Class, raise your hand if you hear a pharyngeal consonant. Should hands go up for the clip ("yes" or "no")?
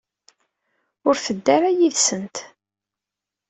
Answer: no